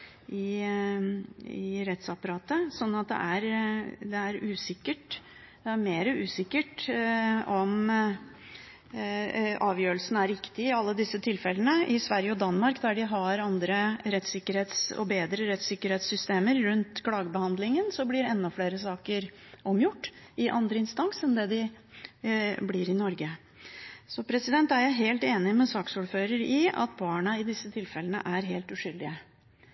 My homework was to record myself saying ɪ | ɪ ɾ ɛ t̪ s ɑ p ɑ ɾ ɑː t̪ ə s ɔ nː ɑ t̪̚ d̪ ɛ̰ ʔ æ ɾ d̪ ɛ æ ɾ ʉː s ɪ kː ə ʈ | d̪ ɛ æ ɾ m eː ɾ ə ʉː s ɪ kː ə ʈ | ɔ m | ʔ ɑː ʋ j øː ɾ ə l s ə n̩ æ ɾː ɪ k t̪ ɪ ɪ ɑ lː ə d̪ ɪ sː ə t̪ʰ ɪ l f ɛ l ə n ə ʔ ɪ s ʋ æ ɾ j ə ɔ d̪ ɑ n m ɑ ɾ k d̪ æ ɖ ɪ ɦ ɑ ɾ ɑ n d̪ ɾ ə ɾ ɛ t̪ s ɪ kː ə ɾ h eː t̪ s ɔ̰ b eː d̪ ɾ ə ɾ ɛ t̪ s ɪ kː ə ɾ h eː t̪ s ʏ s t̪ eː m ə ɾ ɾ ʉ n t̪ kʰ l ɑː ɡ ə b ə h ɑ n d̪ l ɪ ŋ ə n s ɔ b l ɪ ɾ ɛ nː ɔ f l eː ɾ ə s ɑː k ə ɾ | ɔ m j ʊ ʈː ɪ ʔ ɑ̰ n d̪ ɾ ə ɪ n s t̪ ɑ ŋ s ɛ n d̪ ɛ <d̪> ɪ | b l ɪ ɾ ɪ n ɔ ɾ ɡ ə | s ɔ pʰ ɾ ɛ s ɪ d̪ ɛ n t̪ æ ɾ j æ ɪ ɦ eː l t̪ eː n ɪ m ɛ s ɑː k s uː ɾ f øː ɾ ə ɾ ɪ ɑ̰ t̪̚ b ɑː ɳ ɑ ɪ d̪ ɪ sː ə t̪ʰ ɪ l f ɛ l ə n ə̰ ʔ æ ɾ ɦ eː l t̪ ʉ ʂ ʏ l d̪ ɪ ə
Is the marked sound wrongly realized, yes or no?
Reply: no